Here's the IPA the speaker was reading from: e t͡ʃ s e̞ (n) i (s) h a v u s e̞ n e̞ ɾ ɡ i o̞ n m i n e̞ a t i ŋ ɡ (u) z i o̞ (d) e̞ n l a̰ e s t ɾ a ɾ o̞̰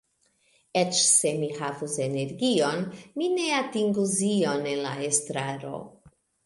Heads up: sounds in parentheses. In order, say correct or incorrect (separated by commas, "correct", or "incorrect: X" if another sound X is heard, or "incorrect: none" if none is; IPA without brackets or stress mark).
incorrect: m, incorrect: none, correct, incorrect: n